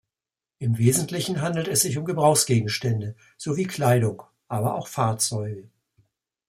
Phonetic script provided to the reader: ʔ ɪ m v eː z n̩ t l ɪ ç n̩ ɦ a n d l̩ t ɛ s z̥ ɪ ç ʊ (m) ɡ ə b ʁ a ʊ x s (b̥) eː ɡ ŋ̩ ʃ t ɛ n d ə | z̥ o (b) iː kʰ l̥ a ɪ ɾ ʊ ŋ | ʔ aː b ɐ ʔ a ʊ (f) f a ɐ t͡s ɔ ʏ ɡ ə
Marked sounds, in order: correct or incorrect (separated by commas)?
correct, incorrect, incorrect, incorrect